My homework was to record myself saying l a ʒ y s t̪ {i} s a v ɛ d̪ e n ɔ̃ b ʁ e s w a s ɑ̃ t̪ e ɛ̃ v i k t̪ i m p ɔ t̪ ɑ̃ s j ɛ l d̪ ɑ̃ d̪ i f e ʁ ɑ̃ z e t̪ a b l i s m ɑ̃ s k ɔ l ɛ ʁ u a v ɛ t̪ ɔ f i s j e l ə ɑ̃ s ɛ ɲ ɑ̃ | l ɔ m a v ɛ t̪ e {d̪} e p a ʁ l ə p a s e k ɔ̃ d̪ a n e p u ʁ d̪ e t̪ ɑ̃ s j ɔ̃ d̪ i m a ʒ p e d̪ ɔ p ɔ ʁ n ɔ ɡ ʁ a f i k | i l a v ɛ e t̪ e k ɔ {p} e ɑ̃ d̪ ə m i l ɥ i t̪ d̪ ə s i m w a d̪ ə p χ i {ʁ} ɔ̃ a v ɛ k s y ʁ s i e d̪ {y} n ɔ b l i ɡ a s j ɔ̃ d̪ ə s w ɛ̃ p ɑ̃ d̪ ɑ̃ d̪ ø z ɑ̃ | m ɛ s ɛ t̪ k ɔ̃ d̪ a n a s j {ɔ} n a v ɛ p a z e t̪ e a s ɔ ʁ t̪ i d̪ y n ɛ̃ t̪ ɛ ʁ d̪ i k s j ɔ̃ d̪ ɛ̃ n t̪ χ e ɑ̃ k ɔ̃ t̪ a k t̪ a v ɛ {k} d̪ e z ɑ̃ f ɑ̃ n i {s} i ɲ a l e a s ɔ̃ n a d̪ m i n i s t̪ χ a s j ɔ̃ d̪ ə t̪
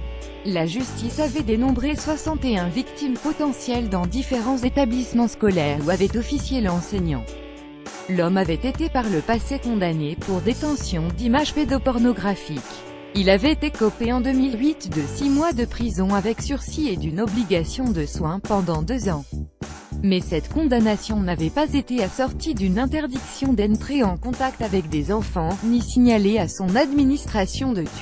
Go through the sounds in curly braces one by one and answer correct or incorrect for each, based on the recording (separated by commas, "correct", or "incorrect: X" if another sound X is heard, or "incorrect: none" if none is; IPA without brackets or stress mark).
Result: correct, incorrect: t̪, correct, incorrect: z, correct, incorrect: ɔ̃, correct, correct